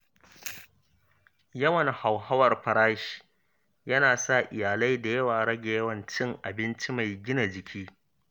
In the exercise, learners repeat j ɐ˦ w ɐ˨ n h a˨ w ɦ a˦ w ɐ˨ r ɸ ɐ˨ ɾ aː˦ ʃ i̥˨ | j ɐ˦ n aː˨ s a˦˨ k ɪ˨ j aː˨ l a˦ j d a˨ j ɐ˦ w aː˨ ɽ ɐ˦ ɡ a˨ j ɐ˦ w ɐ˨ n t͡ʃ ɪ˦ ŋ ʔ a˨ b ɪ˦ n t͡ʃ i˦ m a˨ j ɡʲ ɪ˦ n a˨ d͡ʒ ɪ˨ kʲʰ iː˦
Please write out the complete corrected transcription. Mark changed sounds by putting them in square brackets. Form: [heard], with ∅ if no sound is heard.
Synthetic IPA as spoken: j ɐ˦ w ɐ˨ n h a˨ w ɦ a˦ w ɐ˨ r ɸ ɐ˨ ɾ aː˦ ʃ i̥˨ | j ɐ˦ n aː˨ s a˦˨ [ʔ] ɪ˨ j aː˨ l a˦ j d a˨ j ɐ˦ w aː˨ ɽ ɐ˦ ɡ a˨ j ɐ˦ w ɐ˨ n t͡ʃ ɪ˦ ŋ ʔ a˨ b ɪ˦ n t͡ʃ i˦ m a˨ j ɡʲ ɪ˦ n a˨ d͡ʒ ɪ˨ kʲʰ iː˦